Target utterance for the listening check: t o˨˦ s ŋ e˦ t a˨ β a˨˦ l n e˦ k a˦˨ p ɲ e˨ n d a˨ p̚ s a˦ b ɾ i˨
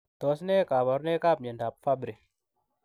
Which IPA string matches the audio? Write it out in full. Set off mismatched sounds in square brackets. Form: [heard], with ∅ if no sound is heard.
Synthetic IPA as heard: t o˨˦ s [n] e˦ [k] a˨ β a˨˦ [ɾ] n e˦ k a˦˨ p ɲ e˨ n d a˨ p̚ [f] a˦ b ɾ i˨